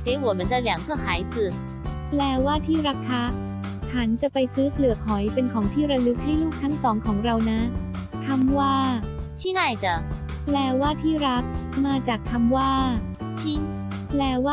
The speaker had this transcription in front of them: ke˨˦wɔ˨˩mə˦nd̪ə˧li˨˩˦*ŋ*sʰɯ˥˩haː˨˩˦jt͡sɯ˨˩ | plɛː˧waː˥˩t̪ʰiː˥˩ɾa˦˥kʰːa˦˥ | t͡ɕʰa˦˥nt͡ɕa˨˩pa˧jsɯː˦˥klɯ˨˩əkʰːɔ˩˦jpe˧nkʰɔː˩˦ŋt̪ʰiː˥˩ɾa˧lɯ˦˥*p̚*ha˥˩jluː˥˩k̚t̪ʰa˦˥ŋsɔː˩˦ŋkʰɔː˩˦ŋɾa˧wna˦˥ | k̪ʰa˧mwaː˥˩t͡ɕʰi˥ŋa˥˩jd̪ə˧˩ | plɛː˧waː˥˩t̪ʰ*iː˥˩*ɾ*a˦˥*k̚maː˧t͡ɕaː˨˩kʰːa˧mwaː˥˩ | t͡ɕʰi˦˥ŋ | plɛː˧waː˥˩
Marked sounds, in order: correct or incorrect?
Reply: correct, incorrect, correct, correct

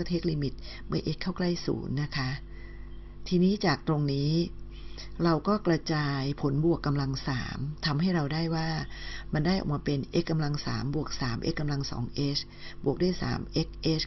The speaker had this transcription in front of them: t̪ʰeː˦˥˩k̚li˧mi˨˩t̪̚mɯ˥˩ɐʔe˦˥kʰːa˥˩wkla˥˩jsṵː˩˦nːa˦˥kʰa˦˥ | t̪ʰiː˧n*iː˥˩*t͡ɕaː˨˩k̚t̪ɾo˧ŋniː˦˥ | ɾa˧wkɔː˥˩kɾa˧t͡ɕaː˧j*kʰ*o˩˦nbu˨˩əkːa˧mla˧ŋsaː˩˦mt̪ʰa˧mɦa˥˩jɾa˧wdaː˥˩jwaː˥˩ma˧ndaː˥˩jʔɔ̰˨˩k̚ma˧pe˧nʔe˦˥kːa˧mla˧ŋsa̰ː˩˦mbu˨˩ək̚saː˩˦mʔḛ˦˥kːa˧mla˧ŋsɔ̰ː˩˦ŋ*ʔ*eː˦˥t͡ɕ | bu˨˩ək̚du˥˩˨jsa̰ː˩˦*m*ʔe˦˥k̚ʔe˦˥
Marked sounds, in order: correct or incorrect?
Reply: incorrect, incorrect, correct, correct

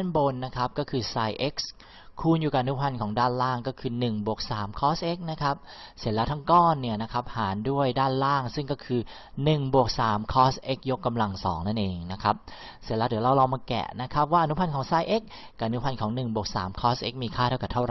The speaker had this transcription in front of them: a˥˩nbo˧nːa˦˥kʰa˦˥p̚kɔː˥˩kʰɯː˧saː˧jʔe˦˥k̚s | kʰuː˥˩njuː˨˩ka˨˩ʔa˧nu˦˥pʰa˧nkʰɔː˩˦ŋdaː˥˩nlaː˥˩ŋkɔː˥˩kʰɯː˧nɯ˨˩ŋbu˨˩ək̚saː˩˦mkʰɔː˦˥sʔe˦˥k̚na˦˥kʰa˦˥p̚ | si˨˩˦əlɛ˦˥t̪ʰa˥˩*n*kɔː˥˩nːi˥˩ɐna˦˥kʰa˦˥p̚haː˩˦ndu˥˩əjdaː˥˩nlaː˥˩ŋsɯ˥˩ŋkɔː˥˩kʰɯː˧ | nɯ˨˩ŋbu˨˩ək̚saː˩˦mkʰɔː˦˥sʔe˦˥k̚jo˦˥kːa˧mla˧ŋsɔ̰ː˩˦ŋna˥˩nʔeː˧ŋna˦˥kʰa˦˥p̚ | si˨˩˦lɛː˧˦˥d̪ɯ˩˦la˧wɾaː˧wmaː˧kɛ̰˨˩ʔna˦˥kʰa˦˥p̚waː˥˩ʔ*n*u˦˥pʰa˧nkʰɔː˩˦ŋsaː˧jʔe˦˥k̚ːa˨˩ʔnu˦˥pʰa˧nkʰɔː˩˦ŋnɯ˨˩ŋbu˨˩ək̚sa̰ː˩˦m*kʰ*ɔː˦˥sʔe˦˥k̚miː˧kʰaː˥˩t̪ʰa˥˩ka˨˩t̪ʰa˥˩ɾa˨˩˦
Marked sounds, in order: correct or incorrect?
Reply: incorrect, correct, correct

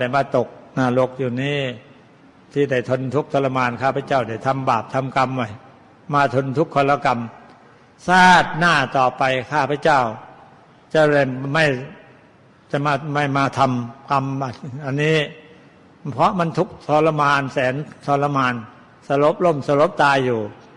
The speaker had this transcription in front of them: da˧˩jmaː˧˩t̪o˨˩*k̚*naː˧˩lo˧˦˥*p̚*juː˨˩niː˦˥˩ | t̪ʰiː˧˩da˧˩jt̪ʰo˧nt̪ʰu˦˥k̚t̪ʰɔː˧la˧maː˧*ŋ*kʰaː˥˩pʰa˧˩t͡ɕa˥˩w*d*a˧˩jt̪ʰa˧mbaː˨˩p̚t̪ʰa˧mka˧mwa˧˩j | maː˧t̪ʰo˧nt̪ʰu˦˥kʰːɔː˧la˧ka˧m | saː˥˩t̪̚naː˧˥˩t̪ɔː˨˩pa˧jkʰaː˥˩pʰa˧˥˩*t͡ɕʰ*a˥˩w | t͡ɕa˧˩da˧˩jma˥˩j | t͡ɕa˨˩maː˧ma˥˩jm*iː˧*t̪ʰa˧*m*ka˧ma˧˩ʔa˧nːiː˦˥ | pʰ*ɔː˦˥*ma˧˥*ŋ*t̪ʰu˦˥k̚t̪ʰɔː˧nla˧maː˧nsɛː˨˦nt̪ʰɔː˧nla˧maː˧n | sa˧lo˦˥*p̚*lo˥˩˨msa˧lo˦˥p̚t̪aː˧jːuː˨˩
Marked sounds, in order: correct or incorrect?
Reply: correct, incorrect, incorrect, correct, incorrect, incorrect, correct, incorrect, incorrect, correct

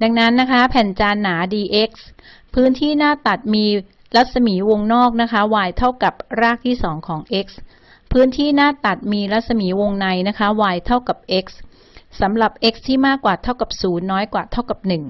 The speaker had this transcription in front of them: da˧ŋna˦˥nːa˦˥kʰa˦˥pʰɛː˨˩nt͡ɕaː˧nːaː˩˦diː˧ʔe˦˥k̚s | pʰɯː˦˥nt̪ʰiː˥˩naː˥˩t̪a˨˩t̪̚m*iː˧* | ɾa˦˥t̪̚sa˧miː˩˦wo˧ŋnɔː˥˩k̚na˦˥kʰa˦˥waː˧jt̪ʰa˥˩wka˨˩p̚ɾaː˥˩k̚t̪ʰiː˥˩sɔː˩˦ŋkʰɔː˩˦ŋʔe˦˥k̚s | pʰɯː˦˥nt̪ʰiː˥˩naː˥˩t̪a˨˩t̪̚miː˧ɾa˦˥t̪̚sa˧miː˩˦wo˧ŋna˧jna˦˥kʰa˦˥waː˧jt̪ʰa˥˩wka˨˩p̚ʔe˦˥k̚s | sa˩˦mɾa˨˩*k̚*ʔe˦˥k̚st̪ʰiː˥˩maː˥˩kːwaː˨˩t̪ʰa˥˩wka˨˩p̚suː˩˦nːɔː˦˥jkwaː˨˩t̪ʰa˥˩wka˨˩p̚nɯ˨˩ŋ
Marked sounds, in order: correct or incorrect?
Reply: correct, incorrect

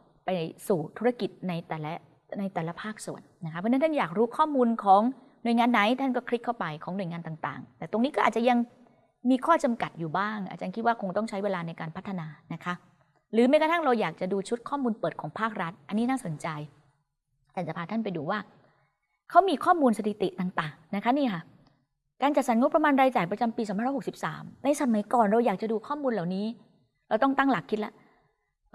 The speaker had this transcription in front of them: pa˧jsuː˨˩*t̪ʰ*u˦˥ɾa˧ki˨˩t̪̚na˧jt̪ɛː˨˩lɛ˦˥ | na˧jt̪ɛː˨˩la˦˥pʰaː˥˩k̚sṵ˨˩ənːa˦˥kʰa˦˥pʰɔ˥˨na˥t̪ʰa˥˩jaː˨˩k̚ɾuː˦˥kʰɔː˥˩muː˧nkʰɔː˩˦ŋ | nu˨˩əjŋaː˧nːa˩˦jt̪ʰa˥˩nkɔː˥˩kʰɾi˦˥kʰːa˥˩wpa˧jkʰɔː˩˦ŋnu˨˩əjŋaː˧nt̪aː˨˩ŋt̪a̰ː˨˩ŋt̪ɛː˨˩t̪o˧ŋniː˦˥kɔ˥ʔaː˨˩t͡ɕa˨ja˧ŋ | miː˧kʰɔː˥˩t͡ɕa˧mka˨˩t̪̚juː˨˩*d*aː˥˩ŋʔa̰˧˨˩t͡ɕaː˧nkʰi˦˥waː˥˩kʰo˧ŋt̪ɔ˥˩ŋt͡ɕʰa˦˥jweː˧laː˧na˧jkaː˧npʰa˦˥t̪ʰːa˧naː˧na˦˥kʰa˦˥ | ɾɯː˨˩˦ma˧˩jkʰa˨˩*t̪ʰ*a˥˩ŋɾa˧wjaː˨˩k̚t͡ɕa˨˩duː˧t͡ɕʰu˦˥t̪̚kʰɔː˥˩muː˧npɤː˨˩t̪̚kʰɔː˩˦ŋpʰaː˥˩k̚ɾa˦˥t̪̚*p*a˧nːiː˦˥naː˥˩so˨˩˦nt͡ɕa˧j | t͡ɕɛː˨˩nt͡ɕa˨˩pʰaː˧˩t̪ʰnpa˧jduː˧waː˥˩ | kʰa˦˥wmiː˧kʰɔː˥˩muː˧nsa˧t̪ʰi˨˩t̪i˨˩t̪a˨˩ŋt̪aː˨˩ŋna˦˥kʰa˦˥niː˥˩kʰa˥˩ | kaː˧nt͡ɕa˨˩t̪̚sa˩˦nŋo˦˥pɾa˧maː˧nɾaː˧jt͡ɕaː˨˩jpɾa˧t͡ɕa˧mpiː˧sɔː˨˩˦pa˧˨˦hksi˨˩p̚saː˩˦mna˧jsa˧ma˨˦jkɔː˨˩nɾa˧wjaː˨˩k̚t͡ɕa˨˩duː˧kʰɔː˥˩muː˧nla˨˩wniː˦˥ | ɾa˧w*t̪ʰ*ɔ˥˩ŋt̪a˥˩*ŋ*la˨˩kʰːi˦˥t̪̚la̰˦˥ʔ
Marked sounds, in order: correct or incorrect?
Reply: correct, incorrect, correct, incorrect, incorrect, correct

